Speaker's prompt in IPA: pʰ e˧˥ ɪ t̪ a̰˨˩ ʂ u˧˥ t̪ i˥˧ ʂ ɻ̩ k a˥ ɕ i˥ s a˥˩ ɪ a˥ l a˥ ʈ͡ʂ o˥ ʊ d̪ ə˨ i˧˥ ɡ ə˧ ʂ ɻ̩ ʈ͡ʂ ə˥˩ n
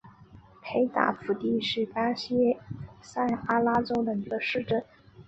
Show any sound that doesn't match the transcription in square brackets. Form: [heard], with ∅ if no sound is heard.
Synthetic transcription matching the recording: pʰ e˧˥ ɪ t̪ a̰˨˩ [f] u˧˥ t̪ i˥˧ ʂ ɻ̩ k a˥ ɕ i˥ s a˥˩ ɪ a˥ l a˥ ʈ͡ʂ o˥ ʊ d̪ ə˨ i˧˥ ɡ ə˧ ʂ ɻ̩ ʈ͡ʂ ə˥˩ n